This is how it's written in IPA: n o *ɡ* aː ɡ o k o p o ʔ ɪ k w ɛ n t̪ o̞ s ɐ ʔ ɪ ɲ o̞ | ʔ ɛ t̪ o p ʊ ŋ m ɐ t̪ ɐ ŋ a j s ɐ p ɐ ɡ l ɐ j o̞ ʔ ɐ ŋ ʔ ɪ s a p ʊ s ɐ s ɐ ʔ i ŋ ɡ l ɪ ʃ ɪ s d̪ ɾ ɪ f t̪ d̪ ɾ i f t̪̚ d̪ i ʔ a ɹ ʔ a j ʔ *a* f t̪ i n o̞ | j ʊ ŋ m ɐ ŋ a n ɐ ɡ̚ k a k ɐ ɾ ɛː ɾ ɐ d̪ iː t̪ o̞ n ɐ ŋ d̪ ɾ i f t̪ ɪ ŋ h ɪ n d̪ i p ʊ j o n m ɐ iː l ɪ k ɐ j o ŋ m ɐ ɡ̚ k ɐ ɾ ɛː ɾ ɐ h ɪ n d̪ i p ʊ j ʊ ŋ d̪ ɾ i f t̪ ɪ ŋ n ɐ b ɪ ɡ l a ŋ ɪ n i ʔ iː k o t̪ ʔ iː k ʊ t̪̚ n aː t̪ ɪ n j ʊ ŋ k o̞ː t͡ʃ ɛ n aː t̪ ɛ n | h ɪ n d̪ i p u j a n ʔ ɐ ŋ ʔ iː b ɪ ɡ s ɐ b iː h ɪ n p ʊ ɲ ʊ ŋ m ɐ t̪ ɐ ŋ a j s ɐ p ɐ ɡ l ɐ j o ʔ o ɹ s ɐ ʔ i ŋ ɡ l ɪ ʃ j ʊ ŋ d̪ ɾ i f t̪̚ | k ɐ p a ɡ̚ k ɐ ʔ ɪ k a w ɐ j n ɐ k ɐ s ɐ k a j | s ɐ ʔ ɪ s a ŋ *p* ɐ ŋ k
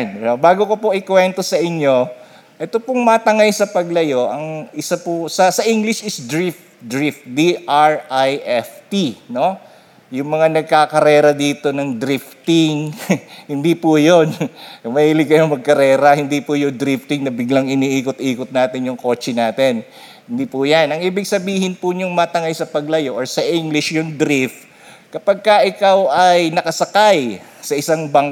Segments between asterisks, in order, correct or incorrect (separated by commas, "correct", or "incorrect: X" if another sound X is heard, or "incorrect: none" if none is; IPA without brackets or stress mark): incorrect: b, incorrect: ɛ, incorrect: b